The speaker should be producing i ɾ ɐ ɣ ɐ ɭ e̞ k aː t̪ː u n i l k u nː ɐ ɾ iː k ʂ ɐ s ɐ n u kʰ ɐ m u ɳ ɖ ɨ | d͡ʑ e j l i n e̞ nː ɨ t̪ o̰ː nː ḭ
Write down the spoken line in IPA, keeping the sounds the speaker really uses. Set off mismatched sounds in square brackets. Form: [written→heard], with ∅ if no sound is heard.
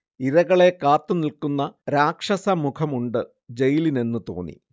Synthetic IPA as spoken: i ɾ ɐ ɣ ɐ ɭ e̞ k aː t̪ː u n i l k u nː ɐ ɾ [iː→aː] k ʂ ɐ s ɐ [n→m] u kʰ ɐ m u ɳ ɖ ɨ | d͡ʑ e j l i n e̞ nː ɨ t̪ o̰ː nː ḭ